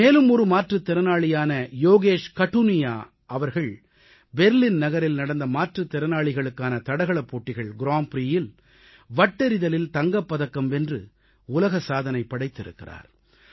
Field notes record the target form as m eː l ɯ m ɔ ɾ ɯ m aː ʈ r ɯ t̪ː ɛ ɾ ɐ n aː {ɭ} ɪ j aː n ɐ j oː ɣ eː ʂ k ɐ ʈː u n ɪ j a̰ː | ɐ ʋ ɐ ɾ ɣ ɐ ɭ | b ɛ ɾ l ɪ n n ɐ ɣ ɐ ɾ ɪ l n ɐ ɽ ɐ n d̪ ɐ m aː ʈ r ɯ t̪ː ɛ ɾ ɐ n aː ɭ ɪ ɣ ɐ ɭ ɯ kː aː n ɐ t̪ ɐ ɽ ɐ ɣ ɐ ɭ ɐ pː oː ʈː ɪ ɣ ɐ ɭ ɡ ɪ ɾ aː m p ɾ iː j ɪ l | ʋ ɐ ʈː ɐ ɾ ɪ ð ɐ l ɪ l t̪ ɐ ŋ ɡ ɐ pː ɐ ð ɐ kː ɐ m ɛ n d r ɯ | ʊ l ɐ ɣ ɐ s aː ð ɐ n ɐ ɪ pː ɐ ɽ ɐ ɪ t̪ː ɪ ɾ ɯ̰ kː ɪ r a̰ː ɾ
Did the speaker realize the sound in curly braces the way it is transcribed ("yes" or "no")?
yes